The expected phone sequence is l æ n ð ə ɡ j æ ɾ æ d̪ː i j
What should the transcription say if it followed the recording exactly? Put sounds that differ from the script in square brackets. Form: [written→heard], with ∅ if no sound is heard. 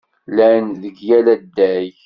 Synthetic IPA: l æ n ð ə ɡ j æ [ɾ→l] æ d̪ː [i→æ] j

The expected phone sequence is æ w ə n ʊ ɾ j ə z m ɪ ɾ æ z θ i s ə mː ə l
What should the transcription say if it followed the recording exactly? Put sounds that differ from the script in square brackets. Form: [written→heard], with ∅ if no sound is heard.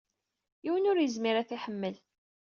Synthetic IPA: [æ→i] w ə n ʊ ɾ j ə z m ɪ ɾ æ [z→∅] θ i [s→ħ] ə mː ə l

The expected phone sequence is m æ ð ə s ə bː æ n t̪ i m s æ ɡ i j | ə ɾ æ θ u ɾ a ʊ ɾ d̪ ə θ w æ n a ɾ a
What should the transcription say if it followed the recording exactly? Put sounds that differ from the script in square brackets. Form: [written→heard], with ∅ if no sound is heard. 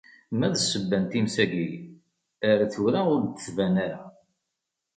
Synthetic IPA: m æ ð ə s ə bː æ n t̪ i m s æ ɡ i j | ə ɾ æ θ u ɾ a ʊ ɾ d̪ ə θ [w→v] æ n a ɾ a

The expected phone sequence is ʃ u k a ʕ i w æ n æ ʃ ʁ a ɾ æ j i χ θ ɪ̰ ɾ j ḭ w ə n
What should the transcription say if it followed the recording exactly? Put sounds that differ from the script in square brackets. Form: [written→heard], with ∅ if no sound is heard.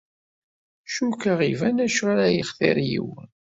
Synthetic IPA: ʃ u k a [ʕ→ʁ] i [w→v] æ n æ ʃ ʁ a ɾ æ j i χ θ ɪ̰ ɾ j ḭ w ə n

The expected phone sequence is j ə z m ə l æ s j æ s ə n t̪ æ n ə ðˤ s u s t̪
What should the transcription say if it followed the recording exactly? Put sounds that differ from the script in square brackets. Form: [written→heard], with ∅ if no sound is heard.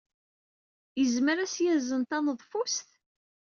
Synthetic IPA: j ə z m ə [l→ɾ] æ s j æ [s→z] ə n t̪ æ n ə ðˤ [s→f] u s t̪

